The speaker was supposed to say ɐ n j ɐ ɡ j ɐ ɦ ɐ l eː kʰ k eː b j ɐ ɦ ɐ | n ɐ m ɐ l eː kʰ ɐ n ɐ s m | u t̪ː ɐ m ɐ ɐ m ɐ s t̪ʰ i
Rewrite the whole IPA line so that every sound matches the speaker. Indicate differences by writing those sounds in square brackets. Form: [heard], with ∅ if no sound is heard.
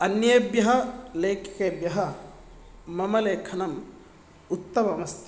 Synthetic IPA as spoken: ɐ n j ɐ [b] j ɐ ɦ ɐ l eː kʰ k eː b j ɐ ɦ ɐ | [m] ɐ m ɐ l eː kʰ ɐ n ɐ [∅] m | u t̪ː ɐ m ɐ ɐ m ɐ s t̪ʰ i